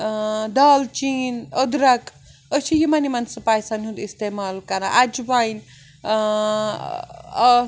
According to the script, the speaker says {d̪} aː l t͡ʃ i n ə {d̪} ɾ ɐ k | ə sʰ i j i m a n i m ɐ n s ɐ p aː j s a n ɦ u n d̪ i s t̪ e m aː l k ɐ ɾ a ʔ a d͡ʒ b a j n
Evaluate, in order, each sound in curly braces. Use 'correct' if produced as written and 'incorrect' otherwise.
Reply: correct, correct

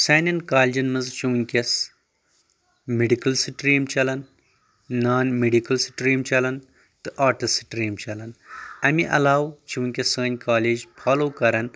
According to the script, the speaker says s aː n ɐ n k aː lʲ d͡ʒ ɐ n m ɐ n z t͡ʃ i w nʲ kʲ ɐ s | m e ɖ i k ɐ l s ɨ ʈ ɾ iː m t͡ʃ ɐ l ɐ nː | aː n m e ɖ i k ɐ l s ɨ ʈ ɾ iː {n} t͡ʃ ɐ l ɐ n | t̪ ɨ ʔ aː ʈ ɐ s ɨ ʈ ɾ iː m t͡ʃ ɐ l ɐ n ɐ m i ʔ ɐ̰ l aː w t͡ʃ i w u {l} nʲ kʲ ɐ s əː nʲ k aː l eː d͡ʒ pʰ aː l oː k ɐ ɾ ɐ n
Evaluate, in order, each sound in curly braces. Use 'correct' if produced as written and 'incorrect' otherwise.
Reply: incorrect, incorrect

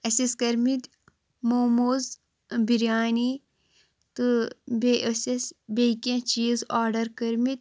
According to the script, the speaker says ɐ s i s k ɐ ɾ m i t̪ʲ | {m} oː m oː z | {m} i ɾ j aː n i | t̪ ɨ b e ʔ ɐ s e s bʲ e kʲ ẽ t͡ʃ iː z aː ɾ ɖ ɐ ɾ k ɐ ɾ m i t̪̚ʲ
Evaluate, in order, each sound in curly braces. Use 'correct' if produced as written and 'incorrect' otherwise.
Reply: correct, incorrect

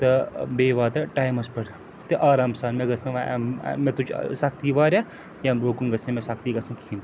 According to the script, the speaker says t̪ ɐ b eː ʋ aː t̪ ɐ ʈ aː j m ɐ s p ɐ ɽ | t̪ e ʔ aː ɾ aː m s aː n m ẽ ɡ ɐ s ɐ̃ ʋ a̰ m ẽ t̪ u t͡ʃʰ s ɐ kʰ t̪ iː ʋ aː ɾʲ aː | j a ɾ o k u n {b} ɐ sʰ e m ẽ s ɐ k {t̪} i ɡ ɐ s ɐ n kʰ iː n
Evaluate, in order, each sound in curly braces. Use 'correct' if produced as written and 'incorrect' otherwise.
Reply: incorrect, correct

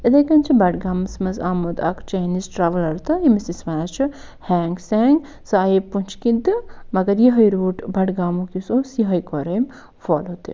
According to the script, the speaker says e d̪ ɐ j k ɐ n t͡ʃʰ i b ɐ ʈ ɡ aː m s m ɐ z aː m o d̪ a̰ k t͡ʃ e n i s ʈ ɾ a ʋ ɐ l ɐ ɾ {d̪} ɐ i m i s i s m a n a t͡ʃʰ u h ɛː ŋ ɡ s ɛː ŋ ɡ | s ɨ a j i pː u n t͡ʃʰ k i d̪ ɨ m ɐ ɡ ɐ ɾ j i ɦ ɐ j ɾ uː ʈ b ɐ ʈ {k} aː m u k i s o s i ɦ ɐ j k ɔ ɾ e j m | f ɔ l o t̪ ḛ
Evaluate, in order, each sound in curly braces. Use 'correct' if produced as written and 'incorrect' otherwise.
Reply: incorrect, incorrect

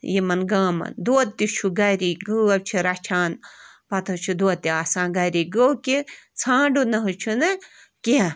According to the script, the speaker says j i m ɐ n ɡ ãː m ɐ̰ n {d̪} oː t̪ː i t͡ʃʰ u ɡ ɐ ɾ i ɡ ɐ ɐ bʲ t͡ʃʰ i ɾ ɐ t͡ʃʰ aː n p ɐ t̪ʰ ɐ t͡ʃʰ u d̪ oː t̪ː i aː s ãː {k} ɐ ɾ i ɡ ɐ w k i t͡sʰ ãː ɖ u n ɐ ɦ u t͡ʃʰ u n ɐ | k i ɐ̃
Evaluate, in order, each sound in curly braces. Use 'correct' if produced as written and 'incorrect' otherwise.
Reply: correct, incorrect

